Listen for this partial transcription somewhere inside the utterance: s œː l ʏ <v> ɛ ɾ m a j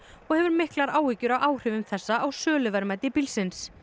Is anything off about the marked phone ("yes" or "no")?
no